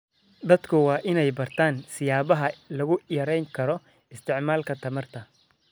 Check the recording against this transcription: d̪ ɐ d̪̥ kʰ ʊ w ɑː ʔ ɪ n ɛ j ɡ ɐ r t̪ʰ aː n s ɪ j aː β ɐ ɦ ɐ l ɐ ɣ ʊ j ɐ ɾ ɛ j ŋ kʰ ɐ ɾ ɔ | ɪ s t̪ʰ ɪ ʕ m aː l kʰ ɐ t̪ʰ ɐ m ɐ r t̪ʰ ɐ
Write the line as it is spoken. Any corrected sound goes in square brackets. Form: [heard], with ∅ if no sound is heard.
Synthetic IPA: d̪ ɐ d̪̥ kʰ ʊ w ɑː ʔ ɪ n ɛ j [b] ɐ r t̪ʰ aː n s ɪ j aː β ɐ ɦ ɐ l ɐ ɣ ʊ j ɐ ɾ ɛ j ŋ kʰ ɐ ɾ ɔ | ɪ s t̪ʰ ɪ ʕ m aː l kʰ ɐ t̪ʰ ɐ m ɐ r t̪ʰ ɐ